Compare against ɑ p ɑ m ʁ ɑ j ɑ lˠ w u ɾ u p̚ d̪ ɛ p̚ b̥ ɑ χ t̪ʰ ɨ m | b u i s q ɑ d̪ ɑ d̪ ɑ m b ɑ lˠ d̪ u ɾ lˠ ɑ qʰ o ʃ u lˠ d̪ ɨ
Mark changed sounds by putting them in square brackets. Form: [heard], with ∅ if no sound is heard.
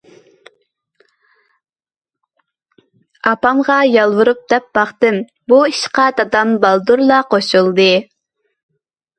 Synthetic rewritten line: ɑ p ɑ m ʁ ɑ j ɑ lˠ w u ɾ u p̚ d̪ ɛ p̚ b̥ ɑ χ [t̪] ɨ m | b u i [ʃ] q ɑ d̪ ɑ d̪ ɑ m b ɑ lˠ d̪ u ɾ lˠ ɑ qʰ o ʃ u lˠ d̪ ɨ